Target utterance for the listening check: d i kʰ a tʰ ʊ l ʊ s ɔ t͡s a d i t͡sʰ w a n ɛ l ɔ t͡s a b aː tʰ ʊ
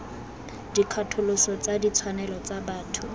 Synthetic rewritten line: d i kʰ a tʰ ʊ l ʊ s ɔ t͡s a d i t͡sʰ w a n ɛ l ɔ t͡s a b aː tʰ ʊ